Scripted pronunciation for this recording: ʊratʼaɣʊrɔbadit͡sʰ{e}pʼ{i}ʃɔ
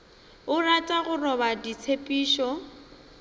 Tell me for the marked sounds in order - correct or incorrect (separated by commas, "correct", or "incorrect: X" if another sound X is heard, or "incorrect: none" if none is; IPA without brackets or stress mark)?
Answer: correct, incorrect: iː